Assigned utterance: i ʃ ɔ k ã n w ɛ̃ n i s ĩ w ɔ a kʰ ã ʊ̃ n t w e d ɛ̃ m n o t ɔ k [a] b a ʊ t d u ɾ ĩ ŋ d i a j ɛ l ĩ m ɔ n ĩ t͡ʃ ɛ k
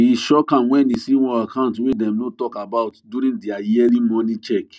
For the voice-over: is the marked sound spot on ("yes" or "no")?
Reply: yes